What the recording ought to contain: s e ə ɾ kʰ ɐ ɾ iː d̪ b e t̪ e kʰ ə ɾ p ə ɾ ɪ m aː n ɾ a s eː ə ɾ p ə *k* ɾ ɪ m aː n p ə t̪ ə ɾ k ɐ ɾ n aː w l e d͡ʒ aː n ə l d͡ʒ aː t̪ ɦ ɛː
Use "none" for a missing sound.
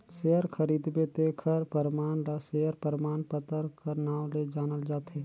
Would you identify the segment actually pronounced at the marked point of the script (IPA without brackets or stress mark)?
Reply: none